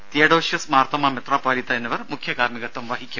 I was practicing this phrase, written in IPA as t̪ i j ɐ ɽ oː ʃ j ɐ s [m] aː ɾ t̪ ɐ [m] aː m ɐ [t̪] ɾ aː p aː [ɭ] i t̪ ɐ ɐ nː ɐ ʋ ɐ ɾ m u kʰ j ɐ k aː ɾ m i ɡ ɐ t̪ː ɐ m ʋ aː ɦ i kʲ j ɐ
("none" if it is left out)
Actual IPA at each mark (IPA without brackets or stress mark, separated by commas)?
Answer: m, m, t̪, l